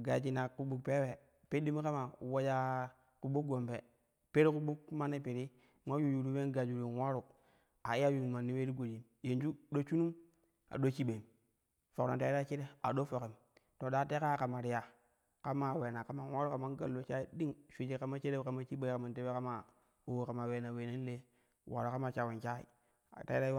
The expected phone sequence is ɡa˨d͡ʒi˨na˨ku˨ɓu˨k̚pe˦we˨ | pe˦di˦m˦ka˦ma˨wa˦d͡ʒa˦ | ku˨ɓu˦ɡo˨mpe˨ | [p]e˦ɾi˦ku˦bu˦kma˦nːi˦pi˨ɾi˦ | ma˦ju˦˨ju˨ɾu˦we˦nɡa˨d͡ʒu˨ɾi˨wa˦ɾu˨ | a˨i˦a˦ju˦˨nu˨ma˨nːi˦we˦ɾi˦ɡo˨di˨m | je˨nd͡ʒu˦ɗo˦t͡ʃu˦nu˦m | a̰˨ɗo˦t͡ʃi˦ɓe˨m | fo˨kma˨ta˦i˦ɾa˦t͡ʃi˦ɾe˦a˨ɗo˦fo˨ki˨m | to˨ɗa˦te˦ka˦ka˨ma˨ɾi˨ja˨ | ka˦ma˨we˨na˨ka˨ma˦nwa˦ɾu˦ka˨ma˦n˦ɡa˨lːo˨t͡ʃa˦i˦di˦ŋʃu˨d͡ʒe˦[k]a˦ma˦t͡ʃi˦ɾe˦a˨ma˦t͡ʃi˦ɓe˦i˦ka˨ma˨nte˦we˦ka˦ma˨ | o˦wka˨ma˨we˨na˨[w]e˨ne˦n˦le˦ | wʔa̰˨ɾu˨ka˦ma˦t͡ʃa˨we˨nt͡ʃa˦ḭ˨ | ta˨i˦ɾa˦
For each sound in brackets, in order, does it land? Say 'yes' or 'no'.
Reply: yes, yes, yes

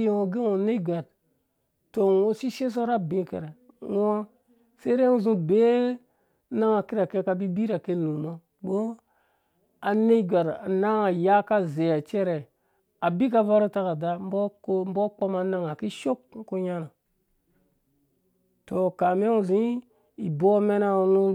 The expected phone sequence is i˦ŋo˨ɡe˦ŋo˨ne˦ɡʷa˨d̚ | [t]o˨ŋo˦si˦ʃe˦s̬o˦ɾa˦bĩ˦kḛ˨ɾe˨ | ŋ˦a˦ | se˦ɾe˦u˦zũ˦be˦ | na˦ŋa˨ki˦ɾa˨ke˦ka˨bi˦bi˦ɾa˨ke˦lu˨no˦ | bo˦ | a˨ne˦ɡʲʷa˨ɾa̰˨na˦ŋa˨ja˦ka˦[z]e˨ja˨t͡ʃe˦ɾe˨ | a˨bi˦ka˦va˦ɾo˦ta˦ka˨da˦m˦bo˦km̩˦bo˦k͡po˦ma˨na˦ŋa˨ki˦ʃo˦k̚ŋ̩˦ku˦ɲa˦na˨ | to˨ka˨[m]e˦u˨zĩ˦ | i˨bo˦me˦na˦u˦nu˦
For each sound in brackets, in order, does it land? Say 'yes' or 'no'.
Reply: yes, yes, yes

